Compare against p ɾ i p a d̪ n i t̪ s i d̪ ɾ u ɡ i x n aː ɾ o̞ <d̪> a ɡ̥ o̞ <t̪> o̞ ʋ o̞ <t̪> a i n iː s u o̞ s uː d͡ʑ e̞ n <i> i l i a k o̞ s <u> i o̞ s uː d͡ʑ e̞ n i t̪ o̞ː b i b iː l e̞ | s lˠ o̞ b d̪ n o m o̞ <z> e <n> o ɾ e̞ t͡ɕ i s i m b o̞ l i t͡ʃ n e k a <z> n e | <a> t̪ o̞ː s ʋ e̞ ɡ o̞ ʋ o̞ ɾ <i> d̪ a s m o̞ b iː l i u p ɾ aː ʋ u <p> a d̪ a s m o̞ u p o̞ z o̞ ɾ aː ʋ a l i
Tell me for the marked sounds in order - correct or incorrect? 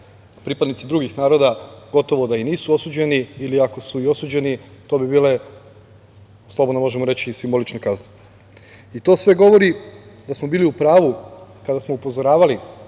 correct, correct, incorrect: d̪, correct, correct, incorrect: ʒ, incorrect: m, correct, incorrect: i, correct, incorrect: k

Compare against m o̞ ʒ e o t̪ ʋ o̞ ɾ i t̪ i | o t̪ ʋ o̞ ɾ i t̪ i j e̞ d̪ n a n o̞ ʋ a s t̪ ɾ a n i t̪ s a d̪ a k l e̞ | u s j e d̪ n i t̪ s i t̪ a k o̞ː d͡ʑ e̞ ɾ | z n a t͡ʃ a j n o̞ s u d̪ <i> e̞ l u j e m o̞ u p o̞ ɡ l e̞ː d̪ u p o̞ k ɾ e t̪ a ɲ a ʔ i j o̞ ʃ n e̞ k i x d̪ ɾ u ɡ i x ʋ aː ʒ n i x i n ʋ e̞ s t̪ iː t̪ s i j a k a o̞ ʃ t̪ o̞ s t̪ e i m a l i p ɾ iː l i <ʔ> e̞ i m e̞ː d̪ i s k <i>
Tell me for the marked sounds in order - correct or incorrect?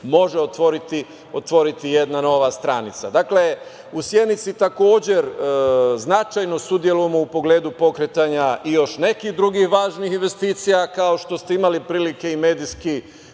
incorrect: j, incorrect: k, correct

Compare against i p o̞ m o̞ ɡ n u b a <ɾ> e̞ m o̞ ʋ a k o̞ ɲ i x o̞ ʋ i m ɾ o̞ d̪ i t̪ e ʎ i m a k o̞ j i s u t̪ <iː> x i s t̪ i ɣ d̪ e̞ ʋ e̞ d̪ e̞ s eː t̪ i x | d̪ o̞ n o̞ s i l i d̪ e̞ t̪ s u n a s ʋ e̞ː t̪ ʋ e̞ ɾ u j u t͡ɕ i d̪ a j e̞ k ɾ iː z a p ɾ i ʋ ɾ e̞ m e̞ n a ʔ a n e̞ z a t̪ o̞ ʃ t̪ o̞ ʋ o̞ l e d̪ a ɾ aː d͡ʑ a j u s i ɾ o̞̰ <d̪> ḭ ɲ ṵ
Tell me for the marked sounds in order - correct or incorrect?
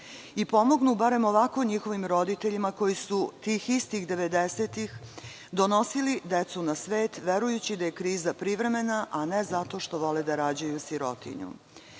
correct, correct, incorrect: t̪

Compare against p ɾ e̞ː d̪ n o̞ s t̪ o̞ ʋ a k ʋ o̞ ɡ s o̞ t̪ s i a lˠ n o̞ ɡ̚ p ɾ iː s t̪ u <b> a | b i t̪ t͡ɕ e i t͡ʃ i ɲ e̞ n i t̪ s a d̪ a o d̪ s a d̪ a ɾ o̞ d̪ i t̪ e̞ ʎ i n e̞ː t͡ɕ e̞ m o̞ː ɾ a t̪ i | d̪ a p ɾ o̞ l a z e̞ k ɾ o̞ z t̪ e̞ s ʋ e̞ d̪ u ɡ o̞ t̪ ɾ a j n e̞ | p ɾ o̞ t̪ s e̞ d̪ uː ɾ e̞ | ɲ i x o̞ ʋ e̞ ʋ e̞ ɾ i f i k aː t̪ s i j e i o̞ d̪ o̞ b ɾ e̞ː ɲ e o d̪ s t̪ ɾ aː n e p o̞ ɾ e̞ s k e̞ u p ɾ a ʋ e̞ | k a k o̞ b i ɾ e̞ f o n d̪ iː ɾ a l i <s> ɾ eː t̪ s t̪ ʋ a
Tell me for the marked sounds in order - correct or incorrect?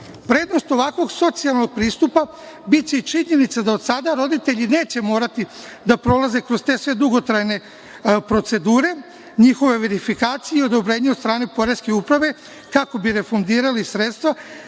incorrect: p, correct

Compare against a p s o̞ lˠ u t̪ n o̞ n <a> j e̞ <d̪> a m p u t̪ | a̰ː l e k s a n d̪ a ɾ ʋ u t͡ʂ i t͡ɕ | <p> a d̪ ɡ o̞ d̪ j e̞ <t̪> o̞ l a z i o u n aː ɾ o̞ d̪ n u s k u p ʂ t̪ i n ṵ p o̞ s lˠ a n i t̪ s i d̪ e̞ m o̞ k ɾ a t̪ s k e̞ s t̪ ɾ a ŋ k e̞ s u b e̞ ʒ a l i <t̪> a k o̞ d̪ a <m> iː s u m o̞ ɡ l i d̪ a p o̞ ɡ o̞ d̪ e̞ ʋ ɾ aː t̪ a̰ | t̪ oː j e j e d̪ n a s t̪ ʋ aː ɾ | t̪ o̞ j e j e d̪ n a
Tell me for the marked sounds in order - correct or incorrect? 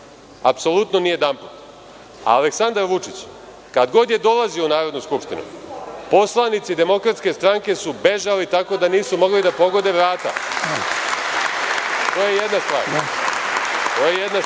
incorrect: i, correct, incorrect: k, incorrect: d̪, correct, incorrect: n

